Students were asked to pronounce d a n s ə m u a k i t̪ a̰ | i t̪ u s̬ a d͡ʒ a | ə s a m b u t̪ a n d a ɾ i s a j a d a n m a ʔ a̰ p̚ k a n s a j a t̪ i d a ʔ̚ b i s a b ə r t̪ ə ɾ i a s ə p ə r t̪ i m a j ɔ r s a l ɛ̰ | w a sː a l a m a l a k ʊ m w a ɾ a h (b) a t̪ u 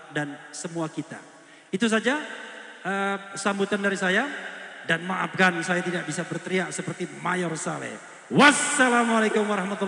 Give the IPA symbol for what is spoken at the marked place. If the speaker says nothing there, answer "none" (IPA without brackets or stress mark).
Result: m